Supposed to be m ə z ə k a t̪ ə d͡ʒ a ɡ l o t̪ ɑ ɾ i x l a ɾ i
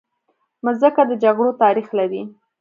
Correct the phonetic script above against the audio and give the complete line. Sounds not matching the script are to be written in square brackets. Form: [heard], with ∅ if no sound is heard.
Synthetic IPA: m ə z ə k a [d̪] ə d͡ʒ a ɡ [ɽ] o t̪ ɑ ɾ i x l a ɾ i

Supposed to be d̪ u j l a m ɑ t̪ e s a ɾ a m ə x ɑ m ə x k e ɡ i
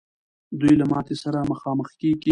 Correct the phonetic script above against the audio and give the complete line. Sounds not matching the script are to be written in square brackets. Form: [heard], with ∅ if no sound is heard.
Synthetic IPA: d̪ u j l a m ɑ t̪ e s a ɾ a m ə x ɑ m ə x k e ɡ i

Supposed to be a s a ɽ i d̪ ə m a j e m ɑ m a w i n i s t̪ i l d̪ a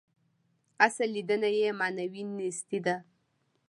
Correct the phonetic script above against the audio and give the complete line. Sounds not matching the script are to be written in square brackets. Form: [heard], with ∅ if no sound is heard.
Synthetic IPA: a s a [l] i d̪ ə [n] a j e m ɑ [n] a w i n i s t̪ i [∅] d̪ a

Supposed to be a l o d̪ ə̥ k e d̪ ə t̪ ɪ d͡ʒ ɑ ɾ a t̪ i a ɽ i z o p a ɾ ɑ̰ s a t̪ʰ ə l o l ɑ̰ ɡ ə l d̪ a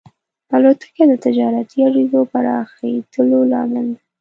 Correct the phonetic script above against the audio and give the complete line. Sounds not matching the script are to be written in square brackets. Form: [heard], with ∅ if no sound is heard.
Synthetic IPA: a l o [t̪] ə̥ k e d̪ ə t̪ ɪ d͡ʒ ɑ ɾ a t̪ i a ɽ i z o p a ɾ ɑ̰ [x] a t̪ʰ ə l o l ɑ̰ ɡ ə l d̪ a

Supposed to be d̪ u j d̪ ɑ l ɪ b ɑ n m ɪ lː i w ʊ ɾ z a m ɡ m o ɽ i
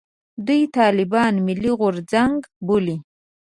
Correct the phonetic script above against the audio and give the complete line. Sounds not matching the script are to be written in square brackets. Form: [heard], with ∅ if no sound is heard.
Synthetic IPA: d̪ u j [t̪] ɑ l ɪ b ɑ n m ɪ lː i [ɣ] ʊ ɾ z a [ŋ] ɡ [b] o [l] i

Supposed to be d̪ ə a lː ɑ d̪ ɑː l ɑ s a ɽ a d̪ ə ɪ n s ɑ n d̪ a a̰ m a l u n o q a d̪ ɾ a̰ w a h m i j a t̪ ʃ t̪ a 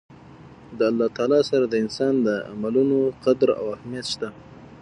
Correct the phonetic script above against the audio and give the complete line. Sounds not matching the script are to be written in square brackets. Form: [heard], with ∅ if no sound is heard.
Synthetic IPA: d̪ ə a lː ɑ [t̪] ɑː l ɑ s a [ɾ] a d̪ ə ɪ n s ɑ n d̪ [ə] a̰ m a l u n o q a d̪ ɾ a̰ w a h m i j a t̪ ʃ t̪ a

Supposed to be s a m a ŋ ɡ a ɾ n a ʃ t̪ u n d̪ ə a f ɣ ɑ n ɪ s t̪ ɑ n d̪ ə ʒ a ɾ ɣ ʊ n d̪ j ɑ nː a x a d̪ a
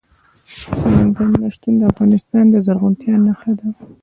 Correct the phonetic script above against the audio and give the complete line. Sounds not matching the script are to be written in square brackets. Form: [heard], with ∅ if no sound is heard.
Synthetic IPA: s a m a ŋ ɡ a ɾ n a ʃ t̪ u n d̪ ə a f ɣ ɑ n ɪ s t̪ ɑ n d̪ ə [z] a ɾ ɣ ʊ n [t̪] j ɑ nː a x a d̪ a

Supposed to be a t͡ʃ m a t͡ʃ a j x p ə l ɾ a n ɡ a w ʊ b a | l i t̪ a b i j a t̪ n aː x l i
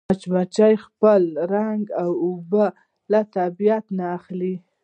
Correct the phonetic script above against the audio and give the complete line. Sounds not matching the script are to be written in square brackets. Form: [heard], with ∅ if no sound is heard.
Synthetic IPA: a t͡ʃ m a t͡ʃ a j x p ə l ɾ a [ŋ] ɡ a w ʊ b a | l [a] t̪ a b i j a t̪ n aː x l i

